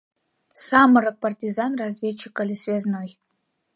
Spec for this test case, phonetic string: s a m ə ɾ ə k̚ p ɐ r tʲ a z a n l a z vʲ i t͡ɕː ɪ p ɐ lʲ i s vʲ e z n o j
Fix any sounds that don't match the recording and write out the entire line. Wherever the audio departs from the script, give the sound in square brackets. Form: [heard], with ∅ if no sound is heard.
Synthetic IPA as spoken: s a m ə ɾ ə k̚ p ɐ r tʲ [i] z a n [r] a z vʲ [e] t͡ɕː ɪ [k] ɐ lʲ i s vʲ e z n o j